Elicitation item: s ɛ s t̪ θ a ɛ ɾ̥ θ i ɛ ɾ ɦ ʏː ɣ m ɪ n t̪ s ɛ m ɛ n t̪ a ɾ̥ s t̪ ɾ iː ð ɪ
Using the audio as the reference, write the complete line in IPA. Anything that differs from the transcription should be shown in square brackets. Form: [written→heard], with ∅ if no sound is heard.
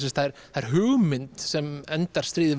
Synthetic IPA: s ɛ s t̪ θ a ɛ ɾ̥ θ [i→a] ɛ ɾ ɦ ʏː ɣ m ɪ n t̪ s ɛ m ɛ n t̪ a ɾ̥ s t̪ ɾ iː ð ɪ